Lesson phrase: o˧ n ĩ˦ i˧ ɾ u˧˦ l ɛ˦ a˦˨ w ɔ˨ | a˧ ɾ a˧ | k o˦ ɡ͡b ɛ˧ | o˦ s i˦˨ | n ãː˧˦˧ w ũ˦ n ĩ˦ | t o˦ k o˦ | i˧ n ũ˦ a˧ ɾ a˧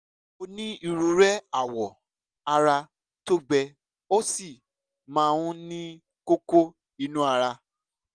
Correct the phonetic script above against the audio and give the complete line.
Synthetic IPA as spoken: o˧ n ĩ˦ i˧ ɾ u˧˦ ɾ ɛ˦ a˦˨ w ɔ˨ | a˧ ɾ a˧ | t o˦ ɡ͡b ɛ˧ | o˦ s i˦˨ | m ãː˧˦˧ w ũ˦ n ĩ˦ | k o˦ k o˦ | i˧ n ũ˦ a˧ ɾ a˧

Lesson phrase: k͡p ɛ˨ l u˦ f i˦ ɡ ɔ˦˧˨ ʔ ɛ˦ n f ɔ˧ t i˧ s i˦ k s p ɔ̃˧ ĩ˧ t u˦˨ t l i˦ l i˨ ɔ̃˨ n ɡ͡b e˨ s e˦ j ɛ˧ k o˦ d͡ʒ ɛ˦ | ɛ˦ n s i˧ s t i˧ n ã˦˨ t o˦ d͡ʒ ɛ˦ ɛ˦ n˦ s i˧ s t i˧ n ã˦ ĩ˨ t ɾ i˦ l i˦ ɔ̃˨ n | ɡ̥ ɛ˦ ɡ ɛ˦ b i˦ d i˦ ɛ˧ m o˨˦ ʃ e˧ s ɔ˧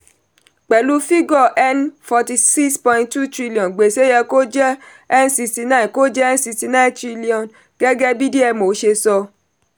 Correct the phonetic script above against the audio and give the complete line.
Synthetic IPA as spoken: k͡p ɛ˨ l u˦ f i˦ ɡ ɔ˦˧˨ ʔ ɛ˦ n f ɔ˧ t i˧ s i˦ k s p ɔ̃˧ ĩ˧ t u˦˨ t ɾ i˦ l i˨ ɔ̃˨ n ɡ͡b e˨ s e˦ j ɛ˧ k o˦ d͡ʒ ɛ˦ | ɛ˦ n s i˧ s t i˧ n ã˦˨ k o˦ d͡ʒ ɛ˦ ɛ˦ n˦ s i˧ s t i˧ n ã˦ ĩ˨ t ɾ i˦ l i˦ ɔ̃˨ n | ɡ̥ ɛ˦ ɡ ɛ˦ b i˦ d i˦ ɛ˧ m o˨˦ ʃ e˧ s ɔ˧

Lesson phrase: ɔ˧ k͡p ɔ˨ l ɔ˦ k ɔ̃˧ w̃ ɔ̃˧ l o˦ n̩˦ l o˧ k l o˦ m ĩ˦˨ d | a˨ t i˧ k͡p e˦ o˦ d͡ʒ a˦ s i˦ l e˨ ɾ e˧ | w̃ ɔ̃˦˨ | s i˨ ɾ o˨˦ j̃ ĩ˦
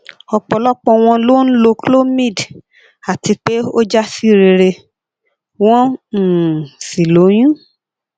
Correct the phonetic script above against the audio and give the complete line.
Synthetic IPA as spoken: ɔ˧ k͡p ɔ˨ l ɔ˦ k͡p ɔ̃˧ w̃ ɔ̃˧ l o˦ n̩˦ l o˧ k l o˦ m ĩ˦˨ d | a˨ t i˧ k͡p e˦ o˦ d͡ʒ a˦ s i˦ ɾ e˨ ɾ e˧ | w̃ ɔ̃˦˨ | s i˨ l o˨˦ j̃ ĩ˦

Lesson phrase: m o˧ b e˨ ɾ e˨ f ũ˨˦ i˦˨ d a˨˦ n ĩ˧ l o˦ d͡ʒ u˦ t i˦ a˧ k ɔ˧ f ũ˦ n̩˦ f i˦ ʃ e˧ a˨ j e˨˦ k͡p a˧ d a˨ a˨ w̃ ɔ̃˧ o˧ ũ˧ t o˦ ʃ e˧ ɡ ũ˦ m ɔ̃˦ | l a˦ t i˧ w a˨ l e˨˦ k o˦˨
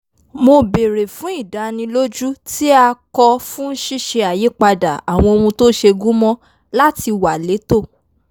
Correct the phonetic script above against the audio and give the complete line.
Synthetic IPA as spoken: m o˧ b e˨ ɾ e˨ f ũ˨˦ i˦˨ d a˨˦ n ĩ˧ l o˦ d͡ʒ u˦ t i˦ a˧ k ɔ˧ f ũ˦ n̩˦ ʃ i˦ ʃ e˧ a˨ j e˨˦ k͡p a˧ d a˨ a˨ w̃ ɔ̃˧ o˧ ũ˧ t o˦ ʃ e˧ ɡ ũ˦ m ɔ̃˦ | l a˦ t i˧ w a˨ l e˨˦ t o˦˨

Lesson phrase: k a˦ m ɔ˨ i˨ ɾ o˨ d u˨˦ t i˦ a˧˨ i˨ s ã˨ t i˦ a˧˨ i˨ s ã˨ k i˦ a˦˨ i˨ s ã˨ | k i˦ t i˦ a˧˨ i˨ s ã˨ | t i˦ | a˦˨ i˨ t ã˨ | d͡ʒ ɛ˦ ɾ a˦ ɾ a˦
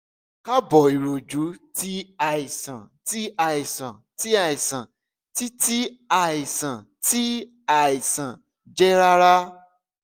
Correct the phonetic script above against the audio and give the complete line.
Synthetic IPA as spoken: k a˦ b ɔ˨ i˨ ɾ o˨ d͡ʒ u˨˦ t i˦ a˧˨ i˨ s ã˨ t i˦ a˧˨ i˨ s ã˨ t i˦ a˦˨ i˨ s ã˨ | t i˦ t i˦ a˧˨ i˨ s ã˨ | t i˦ | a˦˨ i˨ s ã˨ | d͡ʒ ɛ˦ ɾ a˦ ɾ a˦

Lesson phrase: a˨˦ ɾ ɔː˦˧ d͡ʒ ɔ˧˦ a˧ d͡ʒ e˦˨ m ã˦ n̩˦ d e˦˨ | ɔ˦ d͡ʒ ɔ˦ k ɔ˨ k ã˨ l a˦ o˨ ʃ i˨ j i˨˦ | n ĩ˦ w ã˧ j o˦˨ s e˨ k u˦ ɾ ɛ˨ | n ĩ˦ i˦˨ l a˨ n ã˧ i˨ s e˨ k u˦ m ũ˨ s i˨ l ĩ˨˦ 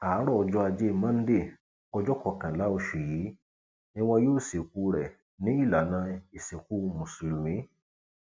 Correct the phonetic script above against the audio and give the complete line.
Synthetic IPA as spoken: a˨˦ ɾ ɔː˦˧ d͡ʒ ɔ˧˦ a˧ d͡ʒ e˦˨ m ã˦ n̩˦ d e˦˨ | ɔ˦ d͡ʒ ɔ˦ k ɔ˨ k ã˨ l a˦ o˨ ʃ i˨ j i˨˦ | n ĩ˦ w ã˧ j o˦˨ s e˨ k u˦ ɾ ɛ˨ | n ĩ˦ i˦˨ l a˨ n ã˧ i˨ s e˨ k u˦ m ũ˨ s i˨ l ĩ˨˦

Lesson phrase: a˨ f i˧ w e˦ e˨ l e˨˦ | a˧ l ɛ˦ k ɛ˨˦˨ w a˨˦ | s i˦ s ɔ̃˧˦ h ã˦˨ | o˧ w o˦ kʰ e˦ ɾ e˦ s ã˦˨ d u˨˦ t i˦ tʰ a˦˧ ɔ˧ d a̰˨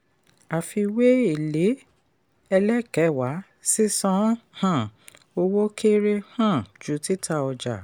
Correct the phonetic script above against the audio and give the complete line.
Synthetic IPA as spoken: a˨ f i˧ w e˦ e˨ l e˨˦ | ɛ˧ l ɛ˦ k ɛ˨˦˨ w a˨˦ | s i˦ s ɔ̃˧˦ h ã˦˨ | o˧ w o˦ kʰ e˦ ɾ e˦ h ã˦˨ d͡ʒ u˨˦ t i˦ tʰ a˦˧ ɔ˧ d͡ʒ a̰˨

